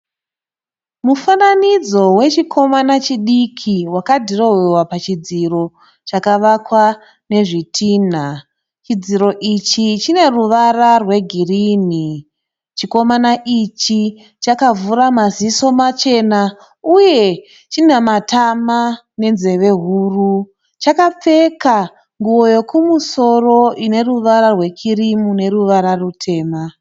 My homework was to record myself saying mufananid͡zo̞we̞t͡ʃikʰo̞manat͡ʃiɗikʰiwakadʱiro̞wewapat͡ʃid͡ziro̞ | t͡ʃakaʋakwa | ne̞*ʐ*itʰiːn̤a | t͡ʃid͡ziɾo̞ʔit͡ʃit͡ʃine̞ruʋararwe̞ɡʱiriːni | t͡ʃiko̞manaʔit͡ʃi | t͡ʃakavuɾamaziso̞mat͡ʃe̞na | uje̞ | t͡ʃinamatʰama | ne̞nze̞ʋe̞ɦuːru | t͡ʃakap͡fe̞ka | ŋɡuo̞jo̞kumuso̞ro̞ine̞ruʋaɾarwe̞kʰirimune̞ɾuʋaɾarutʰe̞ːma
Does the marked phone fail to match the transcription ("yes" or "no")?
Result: no